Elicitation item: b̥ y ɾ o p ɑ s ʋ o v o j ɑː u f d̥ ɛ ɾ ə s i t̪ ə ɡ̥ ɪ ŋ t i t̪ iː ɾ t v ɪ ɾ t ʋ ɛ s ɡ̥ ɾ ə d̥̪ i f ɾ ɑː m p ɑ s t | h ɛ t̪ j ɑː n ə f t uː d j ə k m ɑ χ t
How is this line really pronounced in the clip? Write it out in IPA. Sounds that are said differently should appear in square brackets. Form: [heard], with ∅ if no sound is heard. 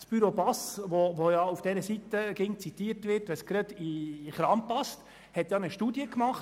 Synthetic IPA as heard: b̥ y ɾ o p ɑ s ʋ o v o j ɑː u f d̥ ɛ ɾ ə s i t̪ ə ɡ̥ ɪ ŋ [t͡s] i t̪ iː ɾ t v ɪ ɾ t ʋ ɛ s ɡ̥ ɾ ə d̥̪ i [χ] ɾ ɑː m p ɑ s t | h ɛ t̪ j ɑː n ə [ʃ] t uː d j ə k m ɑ χ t